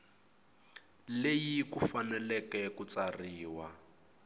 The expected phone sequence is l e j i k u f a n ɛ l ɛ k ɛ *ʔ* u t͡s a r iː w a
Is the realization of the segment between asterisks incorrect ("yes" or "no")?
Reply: yes